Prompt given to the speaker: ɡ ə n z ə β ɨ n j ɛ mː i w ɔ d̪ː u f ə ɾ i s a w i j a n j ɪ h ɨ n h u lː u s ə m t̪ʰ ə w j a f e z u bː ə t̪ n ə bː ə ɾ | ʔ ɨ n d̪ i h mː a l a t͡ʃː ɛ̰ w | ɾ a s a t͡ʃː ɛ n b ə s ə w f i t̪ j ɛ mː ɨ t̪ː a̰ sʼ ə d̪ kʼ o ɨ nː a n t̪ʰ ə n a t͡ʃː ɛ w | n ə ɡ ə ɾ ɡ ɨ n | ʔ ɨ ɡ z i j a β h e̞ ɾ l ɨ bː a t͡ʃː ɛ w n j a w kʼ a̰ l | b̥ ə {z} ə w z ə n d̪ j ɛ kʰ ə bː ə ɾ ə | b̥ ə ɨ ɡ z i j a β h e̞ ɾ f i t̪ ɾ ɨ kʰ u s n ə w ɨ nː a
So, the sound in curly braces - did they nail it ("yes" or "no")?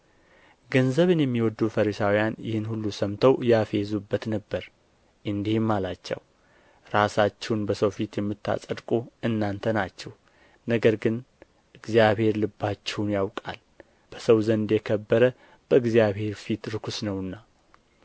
no